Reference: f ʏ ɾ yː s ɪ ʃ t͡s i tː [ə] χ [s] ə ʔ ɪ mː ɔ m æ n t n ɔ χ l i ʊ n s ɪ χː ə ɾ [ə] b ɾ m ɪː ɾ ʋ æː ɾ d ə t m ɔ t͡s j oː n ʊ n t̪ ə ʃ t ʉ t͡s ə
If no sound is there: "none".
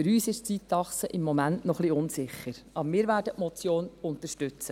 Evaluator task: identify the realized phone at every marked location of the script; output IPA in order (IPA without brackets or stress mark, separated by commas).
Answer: ɑ, s, ɑ